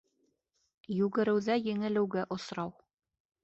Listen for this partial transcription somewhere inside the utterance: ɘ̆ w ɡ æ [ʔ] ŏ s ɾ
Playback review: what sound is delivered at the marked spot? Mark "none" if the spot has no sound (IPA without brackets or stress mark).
ʔ